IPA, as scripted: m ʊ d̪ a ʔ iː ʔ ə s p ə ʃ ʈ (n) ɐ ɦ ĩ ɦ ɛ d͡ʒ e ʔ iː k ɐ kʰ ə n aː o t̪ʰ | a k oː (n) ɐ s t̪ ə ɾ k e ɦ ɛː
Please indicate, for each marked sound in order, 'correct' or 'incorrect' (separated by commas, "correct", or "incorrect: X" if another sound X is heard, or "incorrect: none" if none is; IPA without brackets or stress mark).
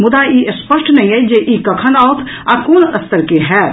correct, correct